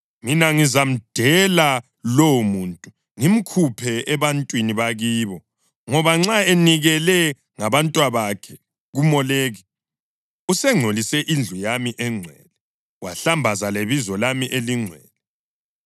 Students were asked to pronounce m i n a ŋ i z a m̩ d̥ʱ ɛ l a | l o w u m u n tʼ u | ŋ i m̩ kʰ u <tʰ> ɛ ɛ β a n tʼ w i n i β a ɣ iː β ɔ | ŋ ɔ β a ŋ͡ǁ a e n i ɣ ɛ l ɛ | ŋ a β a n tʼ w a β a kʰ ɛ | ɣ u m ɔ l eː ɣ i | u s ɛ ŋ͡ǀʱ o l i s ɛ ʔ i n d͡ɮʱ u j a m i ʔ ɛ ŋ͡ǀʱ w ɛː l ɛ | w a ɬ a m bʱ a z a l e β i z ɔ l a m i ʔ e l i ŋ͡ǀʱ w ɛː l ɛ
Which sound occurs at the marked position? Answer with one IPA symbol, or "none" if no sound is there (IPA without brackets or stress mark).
pʰ